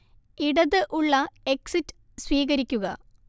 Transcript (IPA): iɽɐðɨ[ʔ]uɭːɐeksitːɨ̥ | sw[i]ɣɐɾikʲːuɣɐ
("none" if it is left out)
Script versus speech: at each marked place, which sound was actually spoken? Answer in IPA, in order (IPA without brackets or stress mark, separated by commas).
ʔ, iː